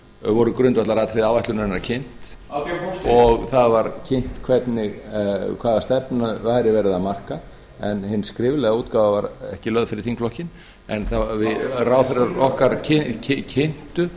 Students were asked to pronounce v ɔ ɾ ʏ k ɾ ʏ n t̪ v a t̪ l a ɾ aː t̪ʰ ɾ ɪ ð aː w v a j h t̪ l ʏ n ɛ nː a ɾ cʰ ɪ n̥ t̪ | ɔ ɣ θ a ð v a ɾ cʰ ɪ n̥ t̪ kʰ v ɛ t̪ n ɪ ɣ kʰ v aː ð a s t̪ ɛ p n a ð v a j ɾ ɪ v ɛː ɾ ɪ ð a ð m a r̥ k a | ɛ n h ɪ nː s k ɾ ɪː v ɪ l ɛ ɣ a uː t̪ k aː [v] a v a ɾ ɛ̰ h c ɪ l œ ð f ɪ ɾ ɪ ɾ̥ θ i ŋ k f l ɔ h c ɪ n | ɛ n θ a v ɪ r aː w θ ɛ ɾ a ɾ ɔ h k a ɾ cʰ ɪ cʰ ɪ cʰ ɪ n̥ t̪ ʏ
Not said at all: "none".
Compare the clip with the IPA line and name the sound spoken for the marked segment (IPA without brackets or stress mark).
v